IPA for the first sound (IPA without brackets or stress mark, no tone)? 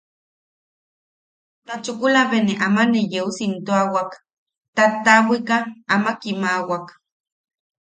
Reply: t̪